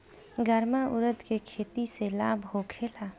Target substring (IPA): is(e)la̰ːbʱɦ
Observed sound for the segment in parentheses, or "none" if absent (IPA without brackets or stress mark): e